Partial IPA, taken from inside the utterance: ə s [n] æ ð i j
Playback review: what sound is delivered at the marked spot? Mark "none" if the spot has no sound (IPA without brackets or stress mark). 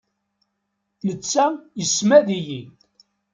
m